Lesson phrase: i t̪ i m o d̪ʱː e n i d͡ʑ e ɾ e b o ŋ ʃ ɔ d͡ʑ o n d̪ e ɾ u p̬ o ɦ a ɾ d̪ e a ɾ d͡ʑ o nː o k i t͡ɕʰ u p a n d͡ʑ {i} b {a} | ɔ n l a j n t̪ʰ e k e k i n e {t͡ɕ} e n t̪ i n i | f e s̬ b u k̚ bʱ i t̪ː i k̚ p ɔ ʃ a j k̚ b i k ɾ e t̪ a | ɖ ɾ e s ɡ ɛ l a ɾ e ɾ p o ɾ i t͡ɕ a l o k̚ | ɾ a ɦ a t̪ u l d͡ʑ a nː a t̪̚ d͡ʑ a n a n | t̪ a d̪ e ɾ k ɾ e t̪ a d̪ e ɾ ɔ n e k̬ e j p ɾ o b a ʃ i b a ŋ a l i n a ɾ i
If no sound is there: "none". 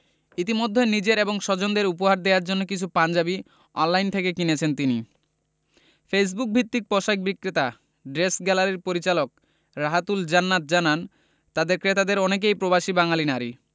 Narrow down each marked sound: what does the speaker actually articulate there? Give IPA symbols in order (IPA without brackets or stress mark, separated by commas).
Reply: a, i, t͡ɕʰ